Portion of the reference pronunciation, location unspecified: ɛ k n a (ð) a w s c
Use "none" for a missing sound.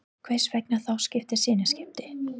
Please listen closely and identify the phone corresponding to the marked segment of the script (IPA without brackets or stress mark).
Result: θ